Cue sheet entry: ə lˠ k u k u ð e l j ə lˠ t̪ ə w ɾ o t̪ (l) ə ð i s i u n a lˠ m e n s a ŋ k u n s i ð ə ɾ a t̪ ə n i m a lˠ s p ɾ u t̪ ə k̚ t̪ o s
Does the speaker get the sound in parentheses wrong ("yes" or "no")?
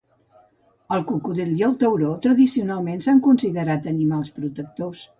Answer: yes